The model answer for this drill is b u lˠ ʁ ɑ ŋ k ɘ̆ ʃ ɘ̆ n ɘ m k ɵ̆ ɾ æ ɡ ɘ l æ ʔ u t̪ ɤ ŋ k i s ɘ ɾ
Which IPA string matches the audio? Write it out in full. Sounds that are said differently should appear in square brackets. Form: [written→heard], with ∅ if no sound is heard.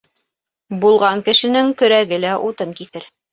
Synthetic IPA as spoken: b u lˠ ʁ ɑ ŋ k ɘ̆ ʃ ɘ̆ n ɘ [m→ŋ] k ɵ̆ ɾ æ ɡ ɘ l æ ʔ u t̪ ɤ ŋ k i [s→θ] ɘ ɾ